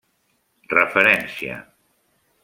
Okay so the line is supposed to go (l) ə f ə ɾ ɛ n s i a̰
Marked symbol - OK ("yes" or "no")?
no